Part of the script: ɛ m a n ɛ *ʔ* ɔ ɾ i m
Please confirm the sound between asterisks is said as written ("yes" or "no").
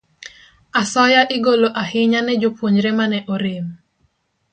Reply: yes